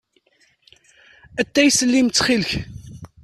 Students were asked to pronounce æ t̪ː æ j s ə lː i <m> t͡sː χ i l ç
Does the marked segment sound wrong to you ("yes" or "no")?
no